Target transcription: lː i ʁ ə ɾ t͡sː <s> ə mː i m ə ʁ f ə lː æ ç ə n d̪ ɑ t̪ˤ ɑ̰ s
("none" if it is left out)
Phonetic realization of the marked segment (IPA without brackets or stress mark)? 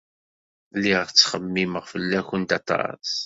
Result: χ